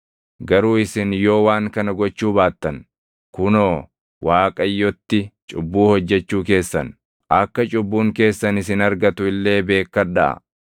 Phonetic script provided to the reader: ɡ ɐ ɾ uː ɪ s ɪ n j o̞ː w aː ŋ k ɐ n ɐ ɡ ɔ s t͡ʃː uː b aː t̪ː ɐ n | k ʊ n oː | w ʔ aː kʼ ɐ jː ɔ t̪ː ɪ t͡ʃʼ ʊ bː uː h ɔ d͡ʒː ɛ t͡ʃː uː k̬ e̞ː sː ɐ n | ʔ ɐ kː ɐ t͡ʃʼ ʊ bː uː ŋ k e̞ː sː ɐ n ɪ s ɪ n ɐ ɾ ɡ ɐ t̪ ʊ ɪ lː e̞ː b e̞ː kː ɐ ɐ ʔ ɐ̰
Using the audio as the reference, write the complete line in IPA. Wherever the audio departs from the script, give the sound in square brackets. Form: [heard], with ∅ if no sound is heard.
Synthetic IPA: ɡ ɐ ɾ uː ɪ s ɪ n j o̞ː w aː ŋ k ɐ n ɐ ɡ ɔ [∅] t͡ʃː uː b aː t̪ː ɐ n | k ʊ n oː | w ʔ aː kʼ ɐ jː ɔ t̪ː ɪ t͡ʃʼ ʊ bː uː h ɔ d͡ʒː ɛ t͡ʃː uː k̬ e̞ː sː ɐ n | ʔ ɐ kː ɐ t͡ʃʼ ʊ bː uː ŋ k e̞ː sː ɐ n ɪ s ɪ n ɐ ɾ ɡ ɐ t̪ ʊ ɪ lː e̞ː b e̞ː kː ɐ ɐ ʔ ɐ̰